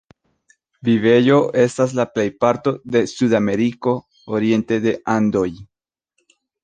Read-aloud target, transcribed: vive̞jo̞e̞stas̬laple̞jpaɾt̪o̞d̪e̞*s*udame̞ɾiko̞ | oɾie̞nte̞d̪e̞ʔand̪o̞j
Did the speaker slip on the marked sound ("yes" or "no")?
no